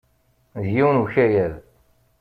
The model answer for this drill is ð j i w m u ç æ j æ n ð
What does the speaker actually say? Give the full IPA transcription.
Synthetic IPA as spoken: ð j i w n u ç æ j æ ð